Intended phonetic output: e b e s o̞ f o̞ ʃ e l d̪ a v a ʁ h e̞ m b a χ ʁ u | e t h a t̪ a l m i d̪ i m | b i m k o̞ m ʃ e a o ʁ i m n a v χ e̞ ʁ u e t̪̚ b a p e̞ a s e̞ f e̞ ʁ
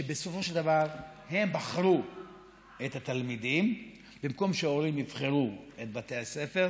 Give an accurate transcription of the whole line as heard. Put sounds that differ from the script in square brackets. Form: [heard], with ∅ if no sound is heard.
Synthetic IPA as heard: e b e s o̞ f o̞ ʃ e l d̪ a v a ʁ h e̞ m b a χ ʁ u | e t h a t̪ a l m i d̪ i m | b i m k o̞ m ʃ e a o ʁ i m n [i] v χ e̞ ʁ u e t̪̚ b a [t] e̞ a s e̞ f e̞ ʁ